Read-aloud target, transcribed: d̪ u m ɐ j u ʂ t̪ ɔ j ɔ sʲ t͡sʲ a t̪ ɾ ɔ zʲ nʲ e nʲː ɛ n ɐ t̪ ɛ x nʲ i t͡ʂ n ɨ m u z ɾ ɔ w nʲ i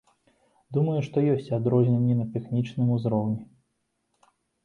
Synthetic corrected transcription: d̪ u m ɐ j u ʂ t̪ ɔ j ɔ sʲ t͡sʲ a d̪ ɾ ɔ zʲ nʲ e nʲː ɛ n ɐ t̪ ɛ x nʲ i t͡ʂ n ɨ m u z ɾ ɔ w nʲ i